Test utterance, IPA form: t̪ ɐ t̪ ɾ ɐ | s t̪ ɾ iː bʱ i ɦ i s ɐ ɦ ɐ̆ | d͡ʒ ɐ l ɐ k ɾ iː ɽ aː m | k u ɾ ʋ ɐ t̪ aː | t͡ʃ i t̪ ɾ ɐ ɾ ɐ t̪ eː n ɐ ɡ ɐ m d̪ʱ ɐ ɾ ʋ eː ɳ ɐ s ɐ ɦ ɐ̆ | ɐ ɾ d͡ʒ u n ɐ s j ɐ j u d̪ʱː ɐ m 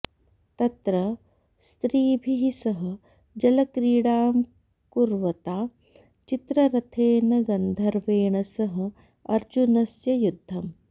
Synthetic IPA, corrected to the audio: t̪ ɐ t̪ ɾ ɐ | s t̪ ɾ iː bʱ i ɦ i s ɐ ɦ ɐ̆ | d͡ʒ ɐ l ɐ k ɾ iː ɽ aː m | k u ɾ ʋ ɐ t̪ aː | t͡ʃ i t̪ ɾ ɐ ɾ ɐ t̪ʰ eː n ɐ ɡ ɐ n d̪ʱ ɐ ɾ ʋ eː ɳ ɐ s ɐ ɦ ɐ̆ | ɐ ɾ d͡ʒ u n ɐ s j ɐ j u d̪ʱː ɐ m